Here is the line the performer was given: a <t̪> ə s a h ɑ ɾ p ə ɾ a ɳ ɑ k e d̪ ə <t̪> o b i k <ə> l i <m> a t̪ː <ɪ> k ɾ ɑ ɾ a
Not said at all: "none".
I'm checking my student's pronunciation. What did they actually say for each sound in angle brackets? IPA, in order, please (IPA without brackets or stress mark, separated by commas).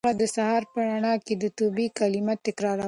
d̪, t̪, a, m, ɪ